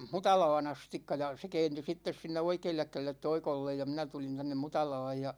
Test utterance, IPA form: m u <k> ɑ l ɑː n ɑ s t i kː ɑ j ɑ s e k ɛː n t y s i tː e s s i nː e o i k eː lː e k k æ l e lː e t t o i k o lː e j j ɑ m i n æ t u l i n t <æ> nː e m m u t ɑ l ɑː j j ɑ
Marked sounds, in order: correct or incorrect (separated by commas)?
incorrect, correct